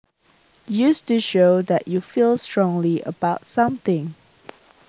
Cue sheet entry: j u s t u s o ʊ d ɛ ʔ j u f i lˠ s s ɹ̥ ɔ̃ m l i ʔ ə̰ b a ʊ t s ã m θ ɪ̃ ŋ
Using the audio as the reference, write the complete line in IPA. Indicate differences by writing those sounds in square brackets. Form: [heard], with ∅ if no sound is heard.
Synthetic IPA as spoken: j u s t u [ʃ] o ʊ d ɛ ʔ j u f i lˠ s [t] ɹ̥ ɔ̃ [ŋ] l i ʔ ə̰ b a ʊ t s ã m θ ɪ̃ ŋ